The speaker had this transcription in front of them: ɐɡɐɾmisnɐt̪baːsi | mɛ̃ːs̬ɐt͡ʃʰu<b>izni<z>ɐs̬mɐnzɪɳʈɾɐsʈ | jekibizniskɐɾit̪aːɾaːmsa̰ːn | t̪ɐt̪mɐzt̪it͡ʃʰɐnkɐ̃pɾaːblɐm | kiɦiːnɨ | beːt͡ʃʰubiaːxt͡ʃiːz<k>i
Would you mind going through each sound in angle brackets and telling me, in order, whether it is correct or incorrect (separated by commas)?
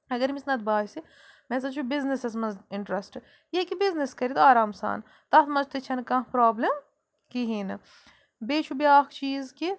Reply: correct, incorrect, correct